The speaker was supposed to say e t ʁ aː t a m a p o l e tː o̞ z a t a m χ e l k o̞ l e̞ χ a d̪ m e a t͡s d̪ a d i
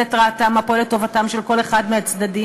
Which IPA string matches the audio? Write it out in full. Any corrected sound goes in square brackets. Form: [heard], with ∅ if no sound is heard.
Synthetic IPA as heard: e t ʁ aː t a m a p o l e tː o̞ [v] a t a m [ʃ] e l k o̞ l e̞ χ a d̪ m e a t͡s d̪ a d i